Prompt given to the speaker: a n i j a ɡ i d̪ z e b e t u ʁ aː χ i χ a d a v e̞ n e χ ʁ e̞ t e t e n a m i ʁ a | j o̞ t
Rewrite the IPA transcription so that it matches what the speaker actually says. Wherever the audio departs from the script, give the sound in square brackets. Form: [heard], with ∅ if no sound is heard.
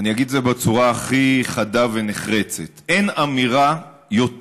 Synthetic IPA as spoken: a n i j a ɡ i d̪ z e b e [t͡s] u ʁ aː χ i χ a d a v e̞ n e χ ʁ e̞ [t͡s] e t e n a m i ʁ a | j o̞ t